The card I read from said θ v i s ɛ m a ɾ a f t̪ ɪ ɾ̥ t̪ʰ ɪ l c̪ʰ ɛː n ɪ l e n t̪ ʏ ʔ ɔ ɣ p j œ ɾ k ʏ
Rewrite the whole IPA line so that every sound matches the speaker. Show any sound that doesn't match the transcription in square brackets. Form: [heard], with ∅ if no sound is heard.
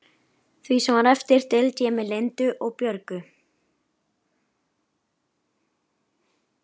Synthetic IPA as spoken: θ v i s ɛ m a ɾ [ɛ] f t̪ ɪ ɾ̥ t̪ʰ ɪ l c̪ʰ ɛː [m] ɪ l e n t̪ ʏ ʔ ɔ ɣ p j œ ɾ k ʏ

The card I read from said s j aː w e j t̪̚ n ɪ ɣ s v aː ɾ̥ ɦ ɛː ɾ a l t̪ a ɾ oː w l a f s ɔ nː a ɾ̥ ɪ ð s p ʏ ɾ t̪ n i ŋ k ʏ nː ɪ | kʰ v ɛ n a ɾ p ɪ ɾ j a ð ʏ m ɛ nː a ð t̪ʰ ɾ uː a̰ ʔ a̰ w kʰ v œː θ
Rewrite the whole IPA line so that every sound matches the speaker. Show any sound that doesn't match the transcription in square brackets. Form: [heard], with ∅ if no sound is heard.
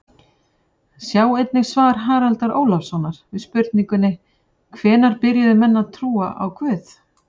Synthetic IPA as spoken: s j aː w e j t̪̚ n ɪ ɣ s v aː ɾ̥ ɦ [aː] ɾ a l t̪ a ɾ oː w l a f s ɔ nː a ɾ̥ ɪ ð s p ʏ ɾ t̪ n i ŋ k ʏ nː ɪ | kʰ v [ɛː] n a ɾ p ɪ ɾ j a ð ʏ m ɛ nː a ð t̪ʰ ɾ uː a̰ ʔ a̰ w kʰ v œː θ

